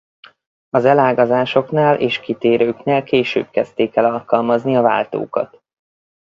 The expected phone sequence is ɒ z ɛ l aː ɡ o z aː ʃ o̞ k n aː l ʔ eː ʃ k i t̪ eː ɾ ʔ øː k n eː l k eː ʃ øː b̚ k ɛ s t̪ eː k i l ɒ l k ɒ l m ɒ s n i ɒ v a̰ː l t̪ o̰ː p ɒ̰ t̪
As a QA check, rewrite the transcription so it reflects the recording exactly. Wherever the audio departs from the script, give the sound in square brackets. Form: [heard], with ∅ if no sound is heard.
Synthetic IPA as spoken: ɒ z ɛ l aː ɡ [ɒ] z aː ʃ o̞ k n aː l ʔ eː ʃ k i t̪ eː ɾ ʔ øː k n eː l k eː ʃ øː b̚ k ɛ s t̪ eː k [ɛ] l ɒ l k ɒ l m ɒ [z] n i ɒ v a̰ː l t̪ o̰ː [k] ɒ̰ t̪